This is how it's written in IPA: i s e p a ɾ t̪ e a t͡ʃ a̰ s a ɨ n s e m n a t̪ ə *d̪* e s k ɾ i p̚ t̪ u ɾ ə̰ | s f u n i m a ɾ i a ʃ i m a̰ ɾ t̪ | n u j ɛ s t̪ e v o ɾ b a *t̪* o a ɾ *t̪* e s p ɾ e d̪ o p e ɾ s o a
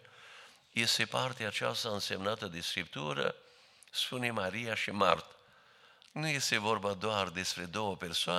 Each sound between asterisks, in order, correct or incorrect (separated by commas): correct, incorrect, incorrect